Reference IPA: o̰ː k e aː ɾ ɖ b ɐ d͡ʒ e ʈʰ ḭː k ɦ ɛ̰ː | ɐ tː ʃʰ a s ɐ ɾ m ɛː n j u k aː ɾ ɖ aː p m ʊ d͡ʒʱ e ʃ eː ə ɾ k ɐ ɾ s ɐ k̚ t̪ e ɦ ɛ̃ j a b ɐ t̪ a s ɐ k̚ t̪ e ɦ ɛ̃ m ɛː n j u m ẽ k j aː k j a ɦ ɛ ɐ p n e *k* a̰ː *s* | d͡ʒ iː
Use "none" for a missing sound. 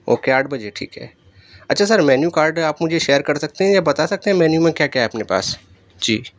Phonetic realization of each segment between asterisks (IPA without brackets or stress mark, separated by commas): p, s